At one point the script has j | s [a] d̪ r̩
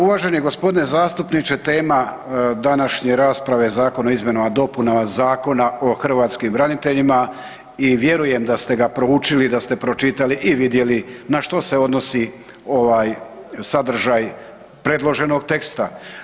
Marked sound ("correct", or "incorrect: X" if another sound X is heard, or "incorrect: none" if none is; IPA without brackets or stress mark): correct